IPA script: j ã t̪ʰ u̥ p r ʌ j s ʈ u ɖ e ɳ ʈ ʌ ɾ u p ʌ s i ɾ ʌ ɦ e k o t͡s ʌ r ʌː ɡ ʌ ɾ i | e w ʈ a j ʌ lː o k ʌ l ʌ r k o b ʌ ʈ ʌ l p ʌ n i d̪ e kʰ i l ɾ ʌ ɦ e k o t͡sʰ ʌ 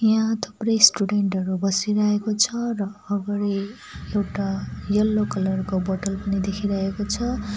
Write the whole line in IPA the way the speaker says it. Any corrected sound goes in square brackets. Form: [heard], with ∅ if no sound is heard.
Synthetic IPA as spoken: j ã t̪ʰ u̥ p r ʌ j s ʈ u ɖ e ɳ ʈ ʌ ɾ u [b] ʌ s i ɾ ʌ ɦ e k o [t͡sʰ] ʌ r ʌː ɡ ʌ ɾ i | e w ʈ a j ʌ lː o k ʌ l ʌ r k o b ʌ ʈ ʌ l p ʌ n i d̪ e kʰ i [∅] ɾ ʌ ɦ e k o t͡sʰ ʌ